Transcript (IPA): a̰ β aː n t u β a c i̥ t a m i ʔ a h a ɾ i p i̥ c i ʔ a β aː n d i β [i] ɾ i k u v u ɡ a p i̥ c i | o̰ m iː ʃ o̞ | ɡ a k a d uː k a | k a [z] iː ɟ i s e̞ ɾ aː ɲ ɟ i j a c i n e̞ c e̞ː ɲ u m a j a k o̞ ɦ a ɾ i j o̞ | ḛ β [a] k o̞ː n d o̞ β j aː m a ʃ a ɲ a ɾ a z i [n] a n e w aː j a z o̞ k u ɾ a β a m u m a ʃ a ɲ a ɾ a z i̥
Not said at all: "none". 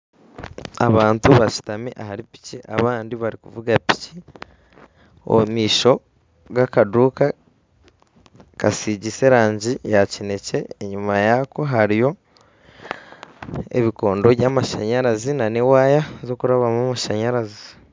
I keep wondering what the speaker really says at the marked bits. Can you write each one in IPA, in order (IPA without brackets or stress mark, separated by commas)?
a, s, i, n